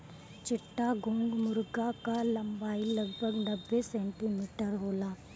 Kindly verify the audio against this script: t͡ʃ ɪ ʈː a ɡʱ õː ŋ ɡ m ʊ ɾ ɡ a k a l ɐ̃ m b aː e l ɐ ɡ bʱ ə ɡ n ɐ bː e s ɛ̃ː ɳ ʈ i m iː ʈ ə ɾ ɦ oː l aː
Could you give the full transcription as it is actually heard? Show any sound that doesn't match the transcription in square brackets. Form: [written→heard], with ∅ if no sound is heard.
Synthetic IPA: t͡ʃ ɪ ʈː a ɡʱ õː ŋ ɡ m ʊ ɾ ɡ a k a l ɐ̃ m b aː [e→i] l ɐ ɡ bʱ ə ɡ n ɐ bː e s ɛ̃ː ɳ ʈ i m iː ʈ ə ɾ ɦ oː l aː